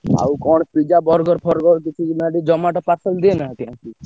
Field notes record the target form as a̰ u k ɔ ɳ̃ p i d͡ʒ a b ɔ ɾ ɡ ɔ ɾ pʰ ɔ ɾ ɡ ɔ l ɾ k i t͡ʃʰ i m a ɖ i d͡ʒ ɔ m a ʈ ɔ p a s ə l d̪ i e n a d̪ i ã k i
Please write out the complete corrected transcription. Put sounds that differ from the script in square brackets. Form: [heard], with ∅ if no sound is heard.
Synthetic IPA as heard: a̰ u k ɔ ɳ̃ p i d͡ʒ a b ɔ ɾ ɡ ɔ ɾ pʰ ɔ ɾ ɡ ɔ [∅] ɾ k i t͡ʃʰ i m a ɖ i d͡ʒ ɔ m a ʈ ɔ p a s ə l d̪ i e n a [t̪] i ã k i